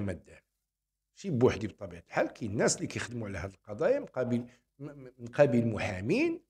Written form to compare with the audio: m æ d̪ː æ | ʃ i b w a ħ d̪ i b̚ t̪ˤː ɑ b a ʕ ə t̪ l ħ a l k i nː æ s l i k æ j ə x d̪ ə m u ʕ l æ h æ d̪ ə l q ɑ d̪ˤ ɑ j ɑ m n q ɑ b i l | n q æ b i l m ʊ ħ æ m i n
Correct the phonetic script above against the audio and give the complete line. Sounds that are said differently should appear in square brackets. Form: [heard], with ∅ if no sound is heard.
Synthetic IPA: m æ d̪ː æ | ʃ i b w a ħ d̪ i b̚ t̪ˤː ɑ b [i] ʕ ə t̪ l ħ a l k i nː æ s l i k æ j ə x d̪ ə m u ʕ l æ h æ d̪ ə l q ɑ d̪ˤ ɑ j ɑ m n q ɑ b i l | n q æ b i l m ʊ ħ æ m i n